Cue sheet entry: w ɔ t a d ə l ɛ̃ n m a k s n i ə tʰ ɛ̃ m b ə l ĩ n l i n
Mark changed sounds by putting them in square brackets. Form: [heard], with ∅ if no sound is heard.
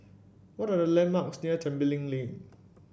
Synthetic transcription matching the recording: w ɔ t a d ə l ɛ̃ n m a k s n i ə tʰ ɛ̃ m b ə l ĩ [ŋ] l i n